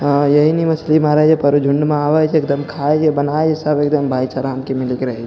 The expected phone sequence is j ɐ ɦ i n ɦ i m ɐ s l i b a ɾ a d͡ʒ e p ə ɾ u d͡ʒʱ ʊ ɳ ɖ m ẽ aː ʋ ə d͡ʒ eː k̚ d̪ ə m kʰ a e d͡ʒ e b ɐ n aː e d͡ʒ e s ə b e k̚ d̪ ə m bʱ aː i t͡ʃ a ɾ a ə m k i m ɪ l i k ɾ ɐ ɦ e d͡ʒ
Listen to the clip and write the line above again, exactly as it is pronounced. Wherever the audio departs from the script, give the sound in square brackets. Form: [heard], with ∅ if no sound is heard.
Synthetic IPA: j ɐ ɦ i n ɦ i m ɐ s l i [m] a ɾ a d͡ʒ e p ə ɾ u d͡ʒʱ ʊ ɳ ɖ m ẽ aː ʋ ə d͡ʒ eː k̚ d̪ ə m kʰ a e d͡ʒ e b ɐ n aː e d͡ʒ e s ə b e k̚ d̪ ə m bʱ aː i t͡ʃ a ɾ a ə m k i m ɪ l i k ɾ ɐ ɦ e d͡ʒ

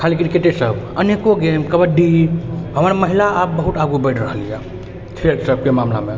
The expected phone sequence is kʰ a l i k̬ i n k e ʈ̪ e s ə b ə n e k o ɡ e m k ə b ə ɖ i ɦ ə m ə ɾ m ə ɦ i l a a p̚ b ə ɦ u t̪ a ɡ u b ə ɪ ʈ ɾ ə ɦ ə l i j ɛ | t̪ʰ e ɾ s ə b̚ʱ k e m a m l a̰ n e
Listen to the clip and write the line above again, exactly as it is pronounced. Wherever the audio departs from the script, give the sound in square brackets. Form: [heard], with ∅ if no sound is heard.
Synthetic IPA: kʰ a l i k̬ i n k e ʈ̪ e s ə b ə n e k o ɡ e m k ə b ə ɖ i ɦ ə m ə ɾ m ə ɦ i l a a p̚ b ə ɦ u t̪ a ɡ u b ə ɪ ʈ ɾ ə ɦ ə l i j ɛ | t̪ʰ e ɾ s ə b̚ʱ k e m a m l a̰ [m] e

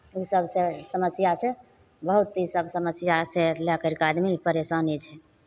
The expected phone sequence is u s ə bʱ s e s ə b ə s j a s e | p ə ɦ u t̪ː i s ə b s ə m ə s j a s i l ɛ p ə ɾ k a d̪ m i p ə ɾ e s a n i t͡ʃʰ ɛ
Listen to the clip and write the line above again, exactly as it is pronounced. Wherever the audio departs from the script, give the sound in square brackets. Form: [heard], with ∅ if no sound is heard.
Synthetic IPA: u s ə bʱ s e s ə [m] ə s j a s e | [b] ə ɦ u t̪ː i s ə b s ə m ə s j a s [e] l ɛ [k] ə ɾ k a d̪ m i p ə ɾ e s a n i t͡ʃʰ ɛ

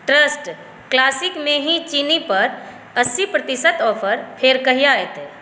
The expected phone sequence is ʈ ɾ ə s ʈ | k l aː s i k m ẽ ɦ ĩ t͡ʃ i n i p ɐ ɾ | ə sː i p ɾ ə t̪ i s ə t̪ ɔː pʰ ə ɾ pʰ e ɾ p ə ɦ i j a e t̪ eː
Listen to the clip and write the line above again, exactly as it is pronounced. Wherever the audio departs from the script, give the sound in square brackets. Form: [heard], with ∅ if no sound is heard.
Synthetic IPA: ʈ ɾ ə s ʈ | k l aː s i k m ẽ ɦ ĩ t͡ʃ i n i p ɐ ɾ | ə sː i p ɾ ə t̪ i s ə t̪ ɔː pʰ ə ɾ pʰ e ɾ [k] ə ɦ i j a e t̪ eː

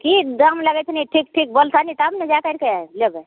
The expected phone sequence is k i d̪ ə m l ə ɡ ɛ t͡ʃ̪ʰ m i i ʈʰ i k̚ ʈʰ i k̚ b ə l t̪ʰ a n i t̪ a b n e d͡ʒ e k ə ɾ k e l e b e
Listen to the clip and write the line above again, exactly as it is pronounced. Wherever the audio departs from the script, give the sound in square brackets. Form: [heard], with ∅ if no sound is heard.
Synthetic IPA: k i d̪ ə m l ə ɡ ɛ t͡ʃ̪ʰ [n] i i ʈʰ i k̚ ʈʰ i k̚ b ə l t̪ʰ a n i t̪ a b n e d͡ʒ [a] k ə ɾ k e l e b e

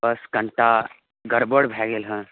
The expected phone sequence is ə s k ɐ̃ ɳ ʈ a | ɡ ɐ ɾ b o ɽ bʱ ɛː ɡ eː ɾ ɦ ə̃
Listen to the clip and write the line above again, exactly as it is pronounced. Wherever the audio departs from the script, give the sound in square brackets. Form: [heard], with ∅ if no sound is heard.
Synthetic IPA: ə s k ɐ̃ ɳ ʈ a | ɡ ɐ ɾ b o ɽ bʱ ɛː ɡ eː [l] ɦ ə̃

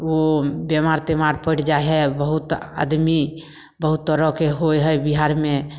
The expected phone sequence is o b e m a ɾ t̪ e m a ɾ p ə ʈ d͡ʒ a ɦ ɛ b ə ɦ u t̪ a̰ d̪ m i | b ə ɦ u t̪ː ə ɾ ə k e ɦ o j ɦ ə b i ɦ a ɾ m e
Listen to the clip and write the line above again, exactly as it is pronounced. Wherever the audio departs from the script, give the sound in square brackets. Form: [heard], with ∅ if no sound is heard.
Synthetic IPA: o b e m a ɾ t̪ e m a ɾ p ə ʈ d͡ʒ a ɦ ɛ b ə ɦ u t̪ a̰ d̪ m i | b ə ɦ u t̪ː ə ɾ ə k e ɦ o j ɦ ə b i ɦ a ɾ m e

